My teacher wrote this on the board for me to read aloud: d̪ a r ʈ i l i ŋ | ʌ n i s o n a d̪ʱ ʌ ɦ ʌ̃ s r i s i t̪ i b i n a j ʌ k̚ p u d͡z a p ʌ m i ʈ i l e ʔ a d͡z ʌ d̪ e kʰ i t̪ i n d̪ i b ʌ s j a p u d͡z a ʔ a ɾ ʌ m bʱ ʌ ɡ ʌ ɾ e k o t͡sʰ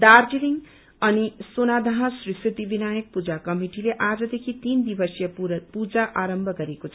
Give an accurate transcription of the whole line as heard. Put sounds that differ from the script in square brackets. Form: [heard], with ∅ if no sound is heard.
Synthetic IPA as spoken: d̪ a r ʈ i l i ŋ | ʌ n i s o n a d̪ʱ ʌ ɦ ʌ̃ s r i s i t̪ i b i n a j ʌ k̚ p u d͡z a [k] ʌ m i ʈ i l e ʔ a d͡z ʌ d̪ e kʰ i t̪ i n d̪ i b ʌ s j [ʌ] p u d͡z a ʔ a ɾ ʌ m bʱ ʌ ɡ ʌ ɾ e k o t͡sʰ